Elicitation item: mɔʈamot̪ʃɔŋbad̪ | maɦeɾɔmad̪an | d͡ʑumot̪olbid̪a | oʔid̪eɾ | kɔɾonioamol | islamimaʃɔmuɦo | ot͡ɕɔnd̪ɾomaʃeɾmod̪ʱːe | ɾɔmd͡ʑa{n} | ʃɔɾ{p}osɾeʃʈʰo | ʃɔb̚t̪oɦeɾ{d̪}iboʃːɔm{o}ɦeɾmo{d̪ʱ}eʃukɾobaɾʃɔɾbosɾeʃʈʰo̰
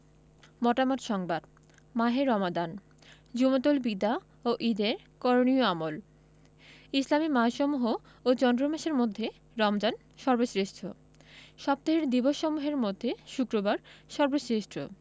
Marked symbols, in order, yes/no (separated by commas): yes, no, yes, no, no